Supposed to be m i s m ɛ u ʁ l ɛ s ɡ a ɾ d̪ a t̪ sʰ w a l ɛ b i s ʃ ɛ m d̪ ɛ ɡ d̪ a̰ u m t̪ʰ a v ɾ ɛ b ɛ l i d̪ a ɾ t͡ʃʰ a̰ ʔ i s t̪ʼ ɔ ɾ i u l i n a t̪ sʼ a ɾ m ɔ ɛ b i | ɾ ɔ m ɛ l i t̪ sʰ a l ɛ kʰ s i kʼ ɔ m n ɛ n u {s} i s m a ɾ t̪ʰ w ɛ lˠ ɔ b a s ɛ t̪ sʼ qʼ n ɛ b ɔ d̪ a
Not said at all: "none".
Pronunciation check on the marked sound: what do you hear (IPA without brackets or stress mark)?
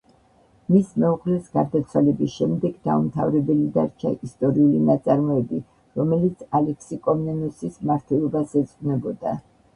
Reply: s